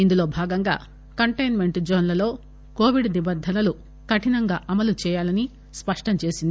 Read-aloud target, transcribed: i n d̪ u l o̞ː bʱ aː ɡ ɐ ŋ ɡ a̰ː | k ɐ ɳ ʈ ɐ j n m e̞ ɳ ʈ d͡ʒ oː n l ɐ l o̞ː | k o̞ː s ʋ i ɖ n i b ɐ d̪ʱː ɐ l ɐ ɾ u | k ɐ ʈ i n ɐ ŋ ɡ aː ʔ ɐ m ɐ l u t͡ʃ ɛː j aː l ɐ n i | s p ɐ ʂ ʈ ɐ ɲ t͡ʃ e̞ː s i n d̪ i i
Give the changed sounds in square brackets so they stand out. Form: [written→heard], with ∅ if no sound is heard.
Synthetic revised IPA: i n d̪ u l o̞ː bʱ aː ɡ ɐ ŋ ɡ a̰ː | k ɐ ɳ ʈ ɐ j n m e̞ ɳ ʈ d͡ʒ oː n l ɐ l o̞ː | k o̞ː [s→∅] ʋ i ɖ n i b ɐ d̪ʱː ɐ l ɐ [ɾ→l] u | k ɐ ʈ i n ɐ ŋ ɡ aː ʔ ɐ m ɐ l u t͡ʃ ɛː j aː l ɐ n i | s p ɐ ʂ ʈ ɐ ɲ t͡ʃ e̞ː s i n d̪ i i